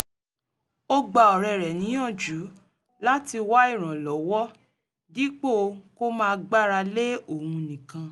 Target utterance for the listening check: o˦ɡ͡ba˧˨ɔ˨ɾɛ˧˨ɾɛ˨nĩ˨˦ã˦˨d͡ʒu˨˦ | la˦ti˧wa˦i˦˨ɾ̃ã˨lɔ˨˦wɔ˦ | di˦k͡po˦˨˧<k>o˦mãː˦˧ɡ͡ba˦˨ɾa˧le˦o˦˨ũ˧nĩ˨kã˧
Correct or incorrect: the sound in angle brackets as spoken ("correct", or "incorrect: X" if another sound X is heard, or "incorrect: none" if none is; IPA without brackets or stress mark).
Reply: correct